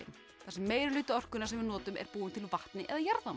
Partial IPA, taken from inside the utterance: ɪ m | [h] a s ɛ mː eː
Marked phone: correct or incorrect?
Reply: incorrect